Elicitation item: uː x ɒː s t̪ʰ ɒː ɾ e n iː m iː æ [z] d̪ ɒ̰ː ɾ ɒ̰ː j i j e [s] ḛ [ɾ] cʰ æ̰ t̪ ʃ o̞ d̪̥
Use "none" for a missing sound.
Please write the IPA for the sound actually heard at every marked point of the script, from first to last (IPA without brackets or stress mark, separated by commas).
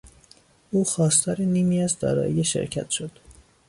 z, ʃ, ɾ